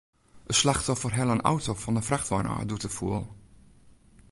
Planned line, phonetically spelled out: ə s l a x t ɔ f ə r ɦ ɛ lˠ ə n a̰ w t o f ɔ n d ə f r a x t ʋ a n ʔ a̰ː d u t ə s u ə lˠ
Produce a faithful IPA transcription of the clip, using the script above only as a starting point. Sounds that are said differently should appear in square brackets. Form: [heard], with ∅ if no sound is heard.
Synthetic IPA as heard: ə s l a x t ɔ f ə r ɦ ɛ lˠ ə n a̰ w t o f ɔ n d ə f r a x t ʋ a n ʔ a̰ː d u t ə [f] u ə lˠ

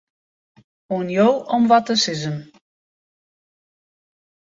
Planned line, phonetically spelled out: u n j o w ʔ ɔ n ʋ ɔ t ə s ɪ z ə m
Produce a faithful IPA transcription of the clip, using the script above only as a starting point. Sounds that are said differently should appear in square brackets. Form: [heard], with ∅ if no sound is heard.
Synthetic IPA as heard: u n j o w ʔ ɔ [m] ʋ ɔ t ə s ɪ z ə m

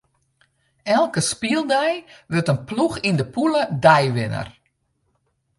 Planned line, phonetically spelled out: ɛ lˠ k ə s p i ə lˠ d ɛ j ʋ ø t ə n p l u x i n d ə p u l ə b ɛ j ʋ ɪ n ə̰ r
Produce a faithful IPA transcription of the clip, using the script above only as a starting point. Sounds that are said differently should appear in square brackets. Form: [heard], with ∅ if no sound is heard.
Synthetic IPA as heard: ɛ lˠ k ə s p i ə lˠ d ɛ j ʋ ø t ə n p l u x i n d ə p u l ə [d] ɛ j ʋ ɪ n ə̰ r

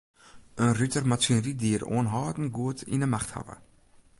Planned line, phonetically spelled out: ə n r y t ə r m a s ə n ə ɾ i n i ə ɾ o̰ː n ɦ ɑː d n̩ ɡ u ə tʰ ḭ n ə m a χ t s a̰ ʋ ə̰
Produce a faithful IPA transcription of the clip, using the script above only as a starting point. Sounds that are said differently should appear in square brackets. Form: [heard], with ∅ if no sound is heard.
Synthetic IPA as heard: ə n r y t ə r m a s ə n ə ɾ i [d] i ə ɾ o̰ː n ɦ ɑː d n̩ ɡ u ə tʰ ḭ n ə m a χ t [h] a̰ [v] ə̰

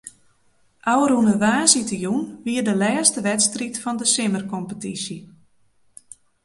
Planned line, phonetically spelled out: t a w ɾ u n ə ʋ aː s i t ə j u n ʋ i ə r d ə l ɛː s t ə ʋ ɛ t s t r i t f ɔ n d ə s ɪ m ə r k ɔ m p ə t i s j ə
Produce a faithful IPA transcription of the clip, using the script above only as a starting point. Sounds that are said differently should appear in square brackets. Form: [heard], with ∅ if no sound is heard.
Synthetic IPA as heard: [ʔ] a w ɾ u n ə ʋ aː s i t ə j u n ʋ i ə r d ə l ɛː s t ə ʋ ɛ t s t r i t f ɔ n d ə s ɪ m ə r k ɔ m p ə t i s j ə

